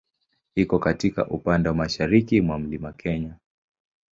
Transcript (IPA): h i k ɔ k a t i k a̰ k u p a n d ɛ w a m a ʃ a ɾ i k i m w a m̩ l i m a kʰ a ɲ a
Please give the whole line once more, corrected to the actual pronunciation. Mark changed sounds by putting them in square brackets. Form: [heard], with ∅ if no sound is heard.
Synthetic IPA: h i k ɔ k a t i k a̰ [ʔ] u p a n d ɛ w a m a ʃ a ɾ i k i m w a m̩ l i m a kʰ [ɛ] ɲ a